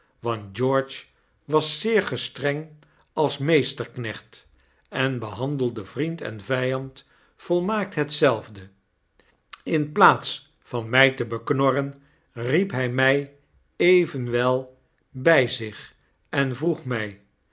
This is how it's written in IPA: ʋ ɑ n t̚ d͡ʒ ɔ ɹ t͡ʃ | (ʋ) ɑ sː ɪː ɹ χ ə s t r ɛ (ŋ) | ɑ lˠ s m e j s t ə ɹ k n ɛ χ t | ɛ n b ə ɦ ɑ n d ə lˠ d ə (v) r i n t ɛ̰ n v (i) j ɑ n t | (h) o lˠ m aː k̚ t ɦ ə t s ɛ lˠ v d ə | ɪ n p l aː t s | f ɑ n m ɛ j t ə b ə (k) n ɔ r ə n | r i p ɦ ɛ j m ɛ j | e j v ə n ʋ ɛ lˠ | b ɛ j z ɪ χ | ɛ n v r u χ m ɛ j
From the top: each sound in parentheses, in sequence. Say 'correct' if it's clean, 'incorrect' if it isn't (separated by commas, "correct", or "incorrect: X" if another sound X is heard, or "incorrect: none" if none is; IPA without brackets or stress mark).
correct, correct, correct, incorrect: ɛ, incorrect: f, correct